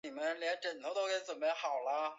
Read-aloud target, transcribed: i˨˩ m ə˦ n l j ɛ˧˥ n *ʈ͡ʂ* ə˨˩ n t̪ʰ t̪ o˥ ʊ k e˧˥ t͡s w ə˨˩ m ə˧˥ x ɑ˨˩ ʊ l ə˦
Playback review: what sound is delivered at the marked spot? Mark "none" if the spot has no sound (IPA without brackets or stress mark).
ʈ͡ʂ